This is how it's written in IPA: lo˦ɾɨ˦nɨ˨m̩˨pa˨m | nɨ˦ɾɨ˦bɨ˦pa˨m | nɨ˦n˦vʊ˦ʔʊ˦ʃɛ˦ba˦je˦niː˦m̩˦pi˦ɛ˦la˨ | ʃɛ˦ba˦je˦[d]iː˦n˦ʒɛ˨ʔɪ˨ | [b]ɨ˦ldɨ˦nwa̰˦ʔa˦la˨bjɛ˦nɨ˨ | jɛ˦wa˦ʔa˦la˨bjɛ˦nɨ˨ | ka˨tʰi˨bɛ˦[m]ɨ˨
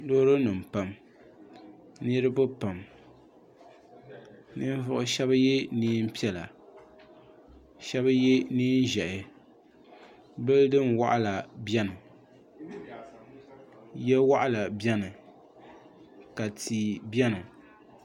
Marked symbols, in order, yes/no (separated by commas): no, yes, no